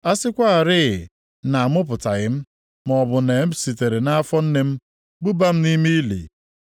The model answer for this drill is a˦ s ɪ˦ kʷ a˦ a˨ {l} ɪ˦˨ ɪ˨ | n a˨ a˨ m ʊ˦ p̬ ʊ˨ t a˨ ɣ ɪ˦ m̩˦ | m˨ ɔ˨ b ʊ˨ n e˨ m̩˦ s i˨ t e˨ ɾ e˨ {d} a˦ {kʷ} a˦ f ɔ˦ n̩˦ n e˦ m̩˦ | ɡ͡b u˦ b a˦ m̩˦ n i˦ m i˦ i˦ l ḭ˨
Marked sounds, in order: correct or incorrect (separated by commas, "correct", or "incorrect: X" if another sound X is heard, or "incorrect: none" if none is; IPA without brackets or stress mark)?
incorrect: ɾ, incorrect: n, incorrect: none